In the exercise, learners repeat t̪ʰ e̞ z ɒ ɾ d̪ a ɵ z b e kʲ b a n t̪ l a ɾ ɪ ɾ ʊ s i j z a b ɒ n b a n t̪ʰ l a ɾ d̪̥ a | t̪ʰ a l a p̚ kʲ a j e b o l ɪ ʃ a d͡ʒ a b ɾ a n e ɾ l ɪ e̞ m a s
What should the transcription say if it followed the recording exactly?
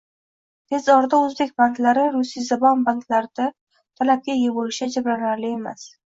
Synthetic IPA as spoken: t̪ʰ e̞ z ɒ ɾ d̪ a ɵ z b e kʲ b a n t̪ l a ɾ ɪ ɾ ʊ s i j z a b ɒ n b a n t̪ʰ l a ɾ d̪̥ a | t̪ʰ a l a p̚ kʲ a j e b o l ɪ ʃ a d͡ʒ a b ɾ a n a ɾ l ɪ e̞ m a s